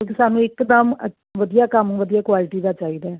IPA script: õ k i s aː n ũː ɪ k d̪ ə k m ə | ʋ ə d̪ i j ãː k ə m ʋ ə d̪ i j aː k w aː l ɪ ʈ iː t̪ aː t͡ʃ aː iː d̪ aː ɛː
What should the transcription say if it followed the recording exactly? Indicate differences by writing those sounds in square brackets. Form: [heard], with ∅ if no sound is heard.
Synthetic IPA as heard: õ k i s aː n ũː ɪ k d̪ ə [∅] m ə | ʋ ə d̪ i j [aː] k ə m ʋ ə d̪ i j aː k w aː l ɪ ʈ iː [d̪] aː t͡ʃ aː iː d̪ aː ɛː